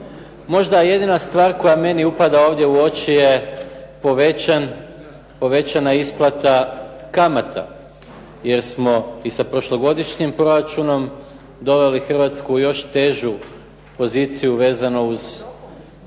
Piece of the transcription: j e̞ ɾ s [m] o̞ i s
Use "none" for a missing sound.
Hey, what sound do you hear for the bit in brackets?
m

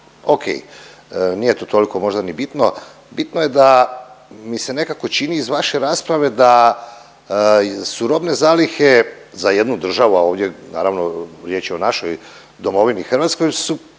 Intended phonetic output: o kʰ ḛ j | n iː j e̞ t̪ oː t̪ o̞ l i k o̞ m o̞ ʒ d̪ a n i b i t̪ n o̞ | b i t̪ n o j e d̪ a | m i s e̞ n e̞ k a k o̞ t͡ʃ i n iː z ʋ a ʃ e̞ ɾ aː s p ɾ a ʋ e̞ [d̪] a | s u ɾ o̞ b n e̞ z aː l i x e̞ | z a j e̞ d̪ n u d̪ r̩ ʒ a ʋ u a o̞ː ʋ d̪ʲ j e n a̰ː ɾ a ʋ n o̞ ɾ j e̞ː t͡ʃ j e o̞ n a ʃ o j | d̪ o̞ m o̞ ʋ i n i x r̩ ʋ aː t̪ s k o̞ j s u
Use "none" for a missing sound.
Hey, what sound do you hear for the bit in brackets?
d̪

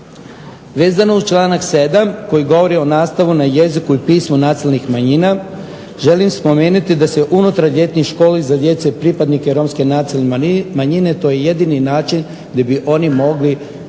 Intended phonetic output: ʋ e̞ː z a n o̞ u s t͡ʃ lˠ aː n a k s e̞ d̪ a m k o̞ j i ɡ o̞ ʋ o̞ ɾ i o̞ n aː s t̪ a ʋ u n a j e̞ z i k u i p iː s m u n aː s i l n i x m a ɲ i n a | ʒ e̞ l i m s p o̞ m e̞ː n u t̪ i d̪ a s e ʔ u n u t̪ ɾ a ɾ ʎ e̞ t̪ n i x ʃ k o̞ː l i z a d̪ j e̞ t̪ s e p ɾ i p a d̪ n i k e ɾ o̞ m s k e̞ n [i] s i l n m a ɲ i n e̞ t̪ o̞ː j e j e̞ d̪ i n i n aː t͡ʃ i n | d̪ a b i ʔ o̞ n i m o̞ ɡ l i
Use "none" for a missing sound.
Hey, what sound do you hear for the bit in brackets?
a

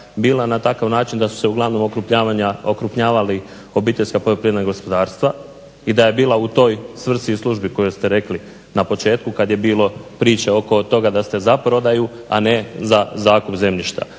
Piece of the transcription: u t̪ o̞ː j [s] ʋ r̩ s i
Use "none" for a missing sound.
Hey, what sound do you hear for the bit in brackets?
s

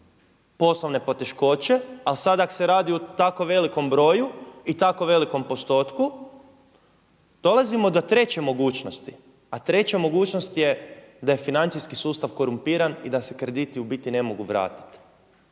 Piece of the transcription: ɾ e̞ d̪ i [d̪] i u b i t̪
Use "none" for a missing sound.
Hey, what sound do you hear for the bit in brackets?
t̪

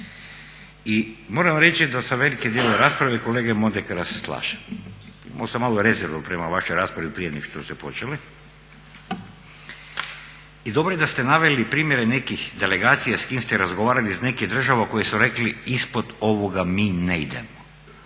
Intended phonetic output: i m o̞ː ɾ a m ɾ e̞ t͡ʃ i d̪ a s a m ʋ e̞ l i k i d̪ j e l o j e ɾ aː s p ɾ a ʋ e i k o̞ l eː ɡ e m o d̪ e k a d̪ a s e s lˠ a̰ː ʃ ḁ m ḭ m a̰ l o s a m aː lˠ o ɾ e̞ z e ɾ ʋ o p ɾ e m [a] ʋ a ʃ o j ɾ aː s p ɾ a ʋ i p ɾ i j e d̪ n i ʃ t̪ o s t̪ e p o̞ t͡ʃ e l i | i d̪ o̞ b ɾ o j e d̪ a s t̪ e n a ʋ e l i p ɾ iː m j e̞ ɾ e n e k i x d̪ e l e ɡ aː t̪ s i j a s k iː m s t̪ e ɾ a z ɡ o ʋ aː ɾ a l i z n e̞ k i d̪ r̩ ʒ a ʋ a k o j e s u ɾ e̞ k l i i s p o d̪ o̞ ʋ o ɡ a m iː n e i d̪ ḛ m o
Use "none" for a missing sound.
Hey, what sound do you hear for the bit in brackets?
a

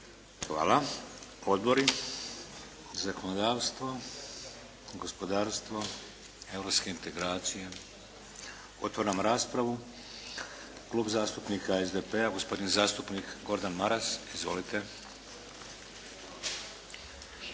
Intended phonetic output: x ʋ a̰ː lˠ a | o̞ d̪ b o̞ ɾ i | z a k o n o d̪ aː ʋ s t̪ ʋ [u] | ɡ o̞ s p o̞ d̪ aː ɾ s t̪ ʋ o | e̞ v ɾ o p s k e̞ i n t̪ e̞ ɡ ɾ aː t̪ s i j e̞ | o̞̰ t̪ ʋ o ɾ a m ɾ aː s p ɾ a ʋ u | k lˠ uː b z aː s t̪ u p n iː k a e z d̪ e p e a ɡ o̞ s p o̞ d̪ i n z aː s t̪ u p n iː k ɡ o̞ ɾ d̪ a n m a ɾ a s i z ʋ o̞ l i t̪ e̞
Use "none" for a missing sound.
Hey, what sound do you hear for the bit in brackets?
o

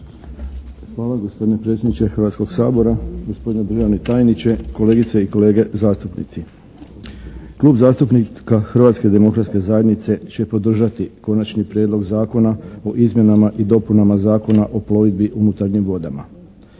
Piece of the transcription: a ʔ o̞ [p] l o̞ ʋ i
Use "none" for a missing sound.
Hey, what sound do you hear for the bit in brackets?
p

